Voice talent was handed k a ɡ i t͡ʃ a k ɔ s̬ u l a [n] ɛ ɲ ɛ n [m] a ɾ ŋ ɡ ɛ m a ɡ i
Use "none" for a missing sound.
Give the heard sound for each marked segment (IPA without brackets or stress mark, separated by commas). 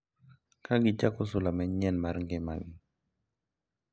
m, m